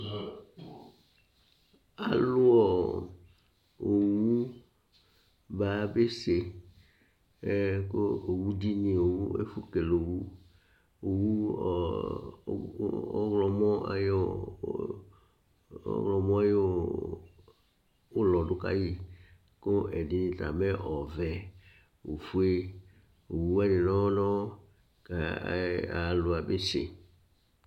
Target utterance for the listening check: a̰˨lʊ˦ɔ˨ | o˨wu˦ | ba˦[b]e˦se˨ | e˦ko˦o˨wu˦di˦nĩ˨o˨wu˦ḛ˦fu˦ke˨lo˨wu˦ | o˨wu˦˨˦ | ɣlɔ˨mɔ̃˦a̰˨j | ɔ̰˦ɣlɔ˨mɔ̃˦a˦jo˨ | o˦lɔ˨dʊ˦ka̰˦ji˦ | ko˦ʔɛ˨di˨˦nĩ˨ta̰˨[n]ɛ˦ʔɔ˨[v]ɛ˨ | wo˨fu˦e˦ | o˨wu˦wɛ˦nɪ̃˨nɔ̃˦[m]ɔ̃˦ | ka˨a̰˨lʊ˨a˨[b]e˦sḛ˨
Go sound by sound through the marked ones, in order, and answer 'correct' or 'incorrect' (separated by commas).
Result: correct, incorrect, correct, incorrect, correct